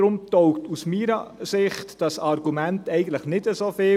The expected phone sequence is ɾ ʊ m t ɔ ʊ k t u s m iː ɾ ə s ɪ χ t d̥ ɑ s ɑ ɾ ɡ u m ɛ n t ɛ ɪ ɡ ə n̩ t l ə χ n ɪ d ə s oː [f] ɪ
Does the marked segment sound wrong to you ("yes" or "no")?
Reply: no